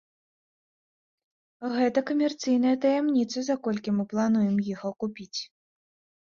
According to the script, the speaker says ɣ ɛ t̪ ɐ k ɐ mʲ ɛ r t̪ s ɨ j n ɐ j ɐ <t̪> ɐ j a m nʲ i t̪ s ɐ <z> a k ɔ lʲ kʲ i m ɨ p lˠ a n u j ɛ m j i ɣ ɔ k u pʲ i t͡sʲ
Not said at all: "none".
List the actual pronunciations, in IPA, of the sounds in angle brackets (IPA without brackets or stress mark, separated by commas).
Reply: t̪, z